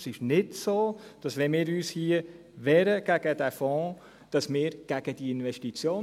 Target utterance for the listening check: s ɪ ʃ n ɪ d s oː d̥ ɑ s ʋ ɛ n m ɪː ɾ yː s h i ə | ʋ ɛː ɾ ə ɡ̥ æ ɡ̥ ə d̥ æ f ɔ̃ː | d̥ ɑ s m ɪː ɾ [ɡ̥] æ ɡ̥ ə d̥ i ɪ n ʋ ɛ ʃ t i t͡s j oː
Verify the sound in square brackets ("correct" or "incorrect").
correct